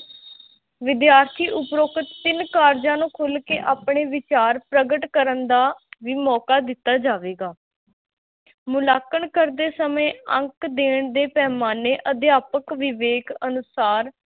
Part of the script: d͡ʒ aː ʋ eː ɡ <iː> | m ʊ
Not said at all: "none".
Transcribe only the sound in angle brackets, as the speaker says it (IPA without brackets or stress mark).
aː